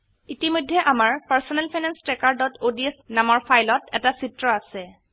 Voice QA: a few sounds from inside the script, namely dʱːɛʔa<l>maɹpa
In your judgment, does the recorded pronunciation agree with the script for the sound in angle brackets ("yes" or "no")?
no